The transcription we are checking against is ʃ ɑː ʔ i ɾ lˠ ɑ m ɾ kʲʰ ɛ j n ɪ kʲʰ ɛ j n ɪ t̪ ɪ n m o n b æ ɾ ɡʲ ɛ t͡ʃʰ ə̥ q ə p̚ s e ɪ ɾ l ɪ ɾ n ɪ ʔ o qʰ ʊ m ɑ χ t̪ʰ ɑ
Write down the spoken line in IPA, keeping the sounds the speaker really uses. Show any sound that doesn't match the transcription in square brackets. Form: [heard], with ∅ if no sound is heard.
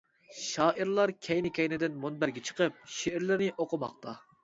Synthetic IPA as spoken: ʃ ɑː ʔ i ɾ lˠ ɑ [∅] ɾ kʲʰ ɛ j n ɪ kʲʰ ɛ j n ɪ [d̪] ɪ n m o n b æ ɾ ɡʲ ɛ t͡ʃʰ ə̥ q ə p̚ [ʃ] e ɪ ɾ l ɪ ɾ n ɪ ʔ o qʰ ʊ m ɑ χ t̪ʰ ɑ

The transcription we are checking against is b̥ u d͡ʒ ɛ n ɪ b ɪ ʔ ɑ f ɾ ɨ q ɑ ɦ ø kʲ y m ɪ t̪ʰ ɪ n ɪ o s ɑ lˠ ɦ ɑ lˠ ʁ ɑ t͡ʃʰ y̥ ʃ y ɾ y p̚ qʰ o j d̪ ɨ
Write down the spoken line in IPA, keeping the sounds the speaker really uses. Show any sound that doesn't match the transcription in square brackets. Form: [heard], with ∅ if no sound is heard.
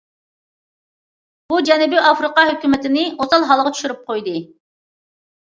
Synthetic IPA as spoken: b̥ u d͡ʒ ɛ n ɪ b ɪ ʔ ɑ f ɾ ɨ q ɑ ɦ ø kʲ y m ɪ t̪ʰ ɪ n ɪ o s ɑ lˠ ɦ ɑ lˠ ʁ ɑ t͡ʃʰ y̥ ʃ y ɾ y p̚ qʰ o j d̪ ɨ

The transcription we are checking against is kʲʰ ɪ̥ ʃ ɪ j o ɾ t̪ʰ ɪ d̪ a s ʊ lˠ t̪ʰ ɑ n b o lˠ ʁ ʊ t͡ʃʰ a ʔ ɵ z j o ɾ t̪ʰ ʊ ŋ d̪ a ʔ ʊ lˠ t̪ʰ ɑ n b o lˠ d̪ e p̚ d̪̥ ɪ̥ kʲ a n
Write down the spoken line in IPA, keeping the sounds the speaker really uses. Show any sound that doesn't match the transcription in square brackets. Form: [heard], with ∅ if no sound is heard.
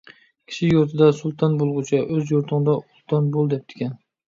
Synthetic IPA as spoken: kʲʰ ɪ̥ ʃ ɪ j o ɾ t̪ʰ ɪ d̪ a s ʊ lˠ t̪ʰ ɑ n b o lˠ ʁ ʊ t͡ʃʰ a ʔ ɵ z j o ɾ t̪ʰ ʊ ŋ d̪ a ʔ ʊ lˠ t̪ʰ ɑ n b o lˠ d̪ e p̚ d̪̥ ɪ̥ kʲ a n

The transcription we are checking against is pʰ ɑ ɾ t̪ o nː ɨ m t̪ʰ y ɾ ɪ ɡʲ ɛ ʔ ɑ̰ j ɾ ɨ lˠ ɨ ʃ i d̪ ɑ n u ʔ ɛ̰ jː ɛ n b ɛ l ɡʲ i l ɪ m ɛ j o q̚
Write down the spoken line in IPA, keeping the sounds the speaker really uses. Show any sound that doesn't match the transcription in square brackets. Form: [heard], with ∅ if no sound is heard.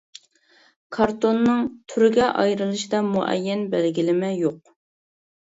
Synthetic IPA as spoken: [kʰ] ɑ ɾ t̪ o nː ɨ [ŋ] t̪ʰ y ɾ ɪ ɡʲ ɛ ʔ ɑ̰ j ɾ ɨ lˠ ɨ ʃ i d̪ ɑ [m] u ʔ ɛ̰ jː ɛ n b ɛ l ɡʲ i l ɪ m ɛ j o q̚

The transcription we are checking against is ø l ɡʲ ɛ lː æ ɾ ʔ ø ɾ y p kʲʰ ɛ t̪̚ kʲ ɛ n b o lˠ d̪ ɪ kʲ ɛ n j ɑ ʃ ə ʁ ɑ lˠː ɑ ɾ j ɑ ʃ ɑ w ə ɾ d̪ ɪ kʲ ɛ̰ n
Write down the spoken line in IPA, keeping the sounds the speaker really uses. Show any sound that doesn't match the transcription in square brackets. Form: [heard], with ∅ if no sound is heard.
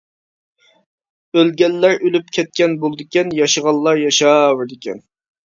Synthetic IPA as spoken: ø l ɡʲ ɛ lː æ ɾ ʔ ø [l] y p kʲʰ ɛ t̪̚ kʲ ɛ n b o lˠ d̪ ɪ kʲ ɛ n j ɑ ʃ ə ʁ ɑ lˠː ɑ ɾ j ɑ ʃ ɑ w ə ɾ d̪ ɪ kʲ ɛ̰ n

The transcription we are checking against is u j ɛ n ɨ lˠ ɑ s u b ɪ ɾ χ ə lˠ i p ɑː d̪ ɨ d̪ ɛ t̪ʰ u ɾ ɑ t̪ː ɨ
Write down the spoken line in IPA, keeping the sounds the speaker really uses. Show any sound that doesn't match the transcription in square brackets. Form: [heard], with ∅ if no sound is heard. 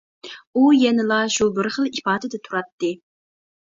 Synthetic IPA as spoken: u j ɛ n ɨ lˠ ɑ [ʃ] u b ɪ ɾ χ ə lˠ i p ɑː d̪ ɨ d̪ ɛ t̪ʰ u ɾ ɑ t̪ː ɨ

